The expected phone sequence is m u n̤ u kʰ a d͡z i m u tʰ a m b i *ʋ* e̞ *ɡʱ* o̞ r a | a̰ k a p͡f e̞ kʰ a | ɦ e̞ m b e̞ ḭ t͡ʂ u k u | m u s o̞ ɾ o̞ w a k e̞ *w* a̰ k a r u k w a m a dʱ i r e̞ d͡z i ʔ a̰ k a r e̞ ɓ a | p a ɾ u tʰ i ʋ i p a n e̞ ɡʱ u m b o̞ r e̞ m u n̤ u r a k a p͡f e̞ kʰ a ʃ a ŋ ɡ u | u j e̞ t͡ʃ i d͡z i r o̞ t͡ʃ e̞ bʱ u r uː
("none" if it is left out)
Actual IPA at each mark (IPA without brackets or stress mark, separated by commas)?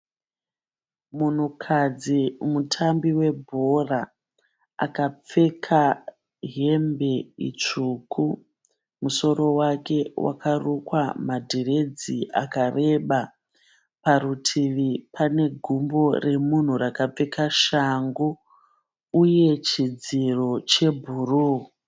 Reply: w, bʱ, w